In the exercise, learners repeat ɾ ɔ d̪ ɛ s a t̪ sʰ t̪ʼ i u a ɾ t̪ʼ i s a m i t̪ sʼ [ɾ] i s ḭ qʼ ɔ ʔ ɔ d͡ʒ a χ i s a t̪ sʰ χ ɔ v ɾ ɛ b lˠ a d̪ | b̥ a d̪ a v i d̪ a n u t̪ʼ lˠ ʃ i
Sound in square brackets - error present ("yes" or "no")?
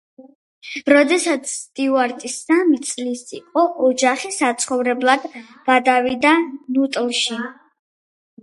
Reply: yes